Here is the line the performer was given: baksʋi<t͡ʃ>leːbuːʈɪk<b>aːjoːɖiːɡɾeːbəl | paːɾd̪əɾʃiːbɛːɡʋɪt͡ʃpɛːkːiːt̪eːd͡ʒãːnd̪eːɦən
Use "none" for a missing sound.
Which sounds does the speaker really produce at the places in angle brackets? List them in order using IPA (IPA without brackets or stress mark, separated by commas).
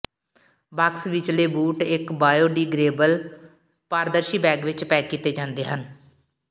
t͡ʃ, b